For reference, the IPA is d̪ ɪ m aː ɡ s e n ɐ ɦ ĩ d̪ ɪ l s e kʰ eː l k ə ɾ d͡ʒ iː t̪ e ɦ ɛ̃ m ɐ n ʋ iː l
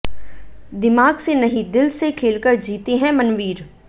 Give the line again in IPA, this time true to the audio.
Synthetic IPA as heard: d̪ ɪ m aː ɡ s e n ɐ ɦ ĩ d̪ ɪ l s e kʰ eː l k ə ɾ d͡ʒ iː t̪ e ɦ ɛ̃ m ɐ n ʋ iː ɾ